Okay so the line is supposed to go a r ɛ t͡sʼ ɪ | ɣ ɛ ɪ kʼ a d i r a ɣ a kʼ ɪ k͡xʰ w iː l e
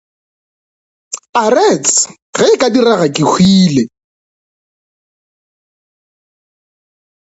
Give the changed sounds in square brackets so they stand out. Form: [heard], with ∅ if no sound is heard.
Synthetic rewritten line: a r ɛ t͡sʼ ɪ | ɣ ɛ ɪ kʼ a d i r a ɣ a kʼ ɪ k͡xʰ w iː l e